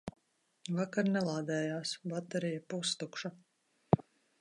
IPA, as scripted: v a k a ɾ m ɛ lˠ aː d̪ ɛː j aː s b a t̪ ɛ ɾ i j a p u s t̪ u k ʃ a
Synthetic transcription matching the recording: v a k a ɾ n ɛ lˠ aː d̪ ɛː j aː s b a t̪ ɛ ɾ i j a p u s t̪ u k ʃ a

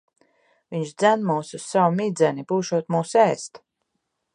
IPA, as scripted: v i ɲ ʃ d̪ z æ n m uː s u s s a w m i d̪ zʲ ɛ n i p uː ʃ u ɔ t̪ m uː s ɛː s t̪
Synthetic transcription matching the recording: v i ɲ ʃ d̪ z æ n m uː s u s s a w m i d̪ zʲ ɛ n i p uː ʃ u ɔ t̪ m uː s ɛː s t̪

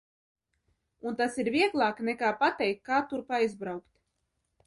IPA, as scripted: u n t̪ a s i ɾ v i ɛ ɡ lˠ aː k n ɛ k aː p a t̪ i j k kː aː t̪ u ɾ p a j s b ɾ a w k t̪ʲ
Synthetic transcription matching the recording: u n t̪ a s i ɾ v i ɛ ɡ lˠ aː k n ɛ k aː p a t̪ ɛ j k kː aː t̪ u ɾ p a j z b ɾ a w k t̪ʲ

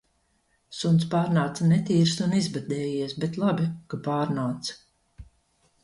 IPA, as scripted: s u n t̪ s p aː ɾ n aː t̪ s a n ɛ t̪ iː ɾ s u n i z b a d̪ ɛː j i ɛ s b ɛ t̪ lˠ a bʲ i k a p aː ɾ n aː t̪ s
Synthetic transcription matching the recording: s u n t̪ s p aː ɾ n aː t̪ s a n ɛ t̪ iː ɾ s u n i z b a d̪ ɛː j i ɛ s b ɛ t̪ lˠ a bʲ i k a p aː ɾ n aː t̪ s

